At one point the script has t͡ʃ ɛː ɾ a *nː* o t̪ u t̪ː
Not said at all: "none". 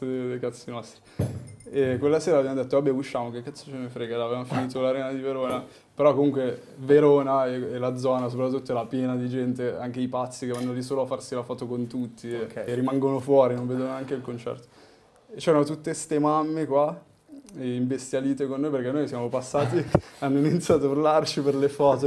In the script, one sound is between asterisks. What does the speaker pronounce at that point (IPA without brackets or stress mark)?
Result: n